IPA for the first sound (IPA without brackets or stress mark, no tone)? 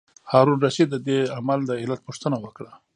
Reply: h